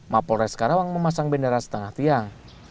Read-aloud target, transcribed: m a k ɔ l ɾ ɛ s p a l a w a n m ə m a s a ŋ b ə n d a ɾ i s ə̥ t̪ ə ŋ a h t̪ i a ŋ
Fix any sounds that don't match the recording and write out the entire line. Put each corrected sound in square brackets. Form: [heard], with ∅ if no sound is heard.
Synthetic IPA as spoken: m a [p] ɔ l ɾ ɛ s [k] a [ɾ] a w a [ŋ] m ə m a s a ŋ b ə n d a ɾ [a] s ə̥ t̪ ə ŋ a h t̪ i a ŋ